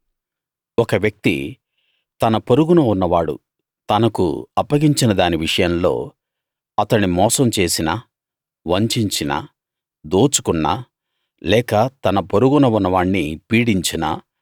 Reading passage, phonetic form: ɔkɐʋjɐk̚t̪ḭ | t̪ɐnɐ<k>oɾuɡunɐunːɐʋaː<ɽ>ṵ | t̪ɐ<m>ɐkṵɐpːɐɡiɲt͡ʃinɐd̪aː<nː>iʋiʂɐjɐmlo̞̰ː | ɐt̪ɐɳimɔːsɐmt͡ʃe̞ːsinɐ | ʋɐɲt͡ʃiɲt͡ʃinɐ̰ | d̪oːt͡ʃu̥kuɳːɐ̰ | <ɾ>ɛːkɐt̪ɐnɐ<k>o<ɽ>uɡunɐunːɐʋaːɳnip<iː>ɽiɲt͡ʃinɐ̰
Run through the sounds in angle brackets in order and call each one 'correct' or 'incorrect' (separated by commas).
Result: incorrect, correct, incorrect, incorrect, incorrect, incorrect, incorrect, correct